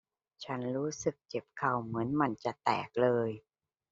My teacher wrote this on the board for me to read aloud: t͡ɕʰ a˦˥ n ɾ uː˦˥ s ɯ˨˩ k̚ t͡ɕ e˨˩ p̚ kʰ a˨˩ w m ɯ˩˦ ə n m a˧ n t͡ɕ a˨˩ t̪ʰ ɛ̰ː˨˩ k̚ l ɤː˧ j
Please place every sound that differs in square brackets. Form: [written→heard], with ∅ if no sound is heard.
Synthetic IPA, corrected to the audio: t͡ɕʰ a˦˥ n ɾ uː˦˥ s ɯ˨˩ k̚ t͡ɕ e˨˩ p̚ kʰ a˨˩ w m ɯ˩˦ ə n m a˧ n t͡ɕ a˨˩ [t̪ʰ→t̪] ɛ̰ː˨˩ k̚ l ɤː˧ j